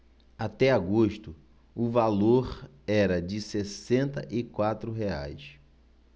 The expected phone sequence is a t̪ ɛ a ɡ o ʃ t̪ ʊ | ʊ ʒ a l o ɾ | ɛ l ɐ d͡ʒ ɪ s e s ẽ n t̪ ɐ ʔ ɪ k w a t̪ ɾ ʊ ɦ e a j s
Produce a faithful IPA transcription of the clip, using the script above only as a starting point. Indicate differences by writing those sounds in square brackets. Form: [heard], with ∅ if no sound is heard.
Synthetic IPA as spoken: a t̪ ɛ a ɡ o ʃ t̪ ʊ | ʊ [v] a l o ɾ | ɛ [ɾ] ɐ d͡ʒ ɪ s e s ẽ n t̪ ɐ ʔ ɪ k w a t̪ ɾ ʊ ɦ e a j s